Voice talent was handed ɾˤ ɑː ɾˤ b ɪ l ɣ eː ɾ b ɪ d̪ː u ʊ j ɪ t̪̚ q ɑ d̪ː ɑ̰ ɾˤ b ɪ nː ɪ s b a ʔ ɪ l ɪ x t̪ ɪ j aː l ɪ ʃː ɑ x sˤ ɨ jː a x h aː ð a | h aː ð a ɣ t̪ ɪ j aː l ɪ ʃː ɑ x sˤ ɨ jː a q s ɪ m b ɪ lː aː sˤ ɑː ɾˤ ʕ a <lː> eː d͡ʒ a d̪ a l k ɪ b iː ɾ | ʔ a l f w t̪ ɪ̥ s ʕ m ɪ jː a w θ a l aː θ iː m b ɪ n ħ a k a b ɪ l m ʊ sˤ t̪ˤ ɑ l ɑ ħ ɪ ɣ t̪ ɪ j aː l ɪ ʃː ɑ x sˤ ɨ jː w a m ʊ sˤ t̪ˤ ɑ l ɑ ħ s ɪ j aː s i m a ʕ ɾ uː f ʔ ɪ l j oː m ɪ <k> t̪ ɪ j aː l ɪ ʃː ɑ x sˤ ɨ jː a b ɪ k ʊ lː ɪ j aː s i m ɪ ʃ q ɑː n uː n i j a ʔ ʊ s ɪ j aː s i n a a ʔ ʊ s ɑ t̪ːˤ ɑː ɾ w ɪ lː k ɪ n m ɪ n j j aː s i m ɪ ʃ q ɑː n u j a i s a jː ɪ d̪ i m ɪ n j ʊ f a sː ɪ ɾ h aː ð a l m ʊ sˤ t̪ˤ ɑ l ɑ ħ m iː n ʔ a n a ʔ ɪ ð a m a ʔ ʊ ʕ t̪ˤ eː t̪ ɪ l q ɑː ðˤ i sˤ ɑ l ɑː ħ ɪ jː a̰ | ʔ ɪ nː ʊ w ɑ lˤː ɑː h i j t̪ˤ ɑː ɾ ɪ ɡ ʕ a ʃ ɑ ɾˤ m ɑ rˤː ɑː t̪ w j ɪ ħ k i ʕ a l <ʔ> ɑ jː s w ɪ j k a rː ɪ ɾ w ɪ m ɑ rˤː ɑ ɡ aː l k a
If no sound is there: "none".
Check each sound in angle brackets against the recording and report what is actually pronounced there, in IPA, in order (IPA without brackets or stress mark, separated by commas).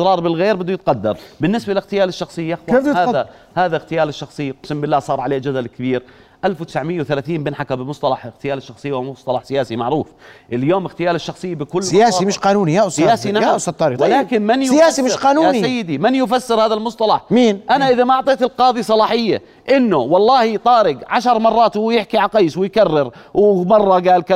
l, x, q